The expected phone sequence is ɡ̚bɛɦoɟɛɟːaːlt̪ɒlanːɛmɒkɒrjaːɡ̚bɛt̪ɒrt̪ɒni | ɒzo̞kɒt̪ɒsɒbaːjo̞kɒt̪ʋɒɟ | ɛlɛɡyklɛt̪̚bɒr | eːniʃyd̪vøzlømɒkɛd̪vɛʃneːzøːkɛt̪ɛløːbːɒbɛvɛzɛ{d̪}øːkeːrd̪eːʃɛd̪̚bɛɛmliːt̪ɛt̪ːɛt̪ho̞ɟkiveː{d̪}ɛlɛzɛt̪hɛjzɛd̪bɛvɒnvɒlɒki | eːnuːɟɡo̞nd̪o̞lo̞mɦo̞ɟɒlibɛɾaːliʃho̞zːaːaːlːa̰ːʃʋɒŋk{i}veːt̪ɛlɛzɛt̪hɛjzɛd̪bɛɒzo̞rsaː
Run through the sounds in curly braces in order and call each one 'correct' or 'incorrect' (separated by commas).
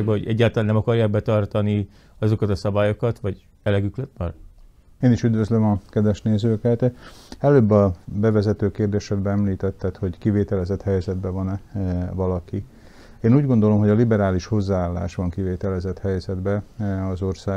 incorrect, incorrect, correct